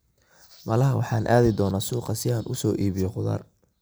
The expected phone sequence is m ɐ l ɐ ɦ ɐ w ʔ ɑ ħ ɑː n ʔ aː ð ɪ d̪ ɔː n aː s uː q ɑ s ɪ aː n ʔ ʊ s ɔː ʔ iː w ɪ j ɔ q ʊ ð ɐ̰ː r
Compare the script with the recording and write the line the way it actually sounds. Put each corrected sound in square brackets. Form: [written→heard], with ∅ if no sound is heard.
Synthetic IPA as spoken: m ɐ l ɐ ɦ ɐ w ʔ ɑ ħ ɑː n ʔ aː ð ɪ d̪ ɔː n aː s uː q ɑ s ɪ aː n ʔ ʊ s ɔː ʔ iː [w→β] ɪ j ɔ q ʊ ð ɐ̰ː r